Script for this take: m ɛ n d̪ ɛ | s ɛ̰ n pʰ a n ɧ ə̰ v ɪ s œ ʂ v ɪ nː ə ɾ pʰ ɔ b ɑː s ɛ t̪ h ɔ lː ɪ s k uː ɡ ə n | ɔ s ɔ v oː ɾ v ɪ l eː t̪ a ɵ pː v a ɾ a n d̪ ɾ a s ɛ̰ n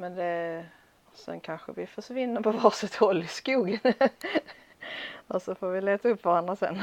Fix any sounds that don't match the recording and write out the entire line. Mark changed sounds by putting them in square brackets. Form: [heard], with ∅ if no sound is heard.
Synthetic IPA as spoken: m ɛ n d̪ ɛ | s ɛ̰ n [kʰ] a n ɧ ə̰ v ɪ [f] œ ʂ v ɪ nː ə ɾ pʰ ɔ [v] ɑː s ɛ t̪ h ɔ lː ɪ s k uː ɡ ə n | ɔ s ɔ [f] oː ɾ v ɪ l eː t̪ a ɵ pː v a ɾ a n d̪ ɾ a s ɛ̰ n